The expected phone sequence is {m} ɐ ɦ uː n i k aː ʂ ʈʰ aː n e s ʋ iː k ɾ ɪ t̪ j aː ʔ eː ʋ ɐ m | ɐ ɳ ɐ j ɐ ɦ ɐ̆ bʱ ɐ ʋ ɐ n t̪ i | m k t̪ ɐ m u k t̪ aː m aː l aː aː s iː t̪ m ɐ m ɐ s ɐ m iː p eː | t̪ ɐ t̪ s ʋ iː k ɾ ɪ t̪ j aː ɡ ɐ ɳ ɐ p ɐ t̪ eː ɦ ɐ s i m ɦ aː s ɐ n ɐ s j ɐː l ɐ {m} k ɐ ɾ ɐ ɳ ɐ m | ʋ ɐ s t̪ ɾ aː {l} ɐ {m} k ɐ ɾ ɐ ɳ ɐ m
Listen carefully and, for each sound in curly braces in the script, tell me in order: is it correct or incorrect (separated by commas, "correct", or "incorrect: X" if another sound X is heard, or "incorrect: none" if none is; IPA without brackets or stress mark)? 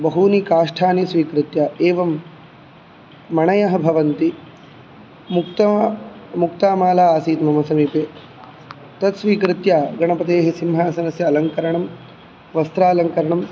incorrect: b, incorrect: ŋ, correct, incorrect: ŋ